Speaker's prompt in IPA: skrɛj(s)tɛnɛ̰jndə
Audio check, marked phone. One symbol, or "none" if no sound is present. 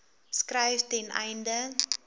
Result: f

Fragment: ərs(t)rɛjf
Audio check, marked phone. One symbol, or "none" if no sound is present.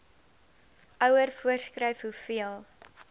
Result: k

